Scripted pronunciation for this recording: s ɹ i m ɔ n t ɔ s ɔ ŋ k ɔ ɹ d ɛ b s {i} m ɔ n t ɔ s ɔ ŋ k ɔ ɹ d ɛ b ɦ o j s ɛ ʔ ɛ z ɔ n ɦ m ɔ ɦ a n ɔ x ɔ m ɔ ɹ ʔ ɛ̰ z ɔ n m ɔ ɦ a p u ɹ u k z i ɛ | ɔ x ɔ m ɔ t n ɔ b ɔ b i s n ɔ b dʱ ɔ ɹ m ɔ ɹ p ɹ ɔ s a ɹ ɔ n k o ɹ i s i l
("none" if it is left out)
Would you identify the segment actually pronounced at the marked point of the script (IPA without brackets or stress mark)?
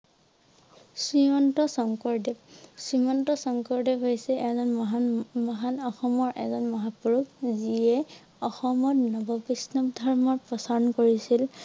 i